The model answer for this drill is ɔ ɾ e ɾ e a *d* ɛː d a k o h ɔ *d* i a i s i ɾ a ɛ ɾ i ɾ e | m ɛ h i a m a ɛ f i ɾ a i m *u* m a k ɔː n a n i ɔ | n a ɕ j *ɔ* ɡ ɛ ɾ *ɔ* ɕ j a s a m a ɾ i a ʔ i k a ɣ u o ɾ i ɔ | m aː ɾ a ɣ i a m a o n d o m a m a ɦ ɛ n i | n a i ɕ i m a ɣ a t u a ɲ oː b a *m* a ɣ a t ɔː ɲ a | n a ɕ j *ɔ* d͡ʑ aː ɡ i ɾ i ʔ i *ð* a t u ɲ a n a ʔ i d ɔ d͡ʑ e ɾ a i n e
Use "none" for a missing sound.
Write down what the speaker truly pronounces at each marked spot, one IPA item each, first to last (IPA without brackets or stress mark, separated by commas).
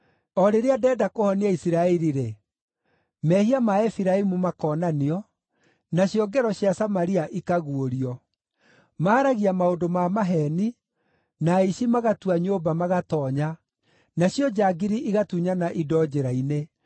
d, n, u, ɔ, ɔ, m, ɔ, ɣ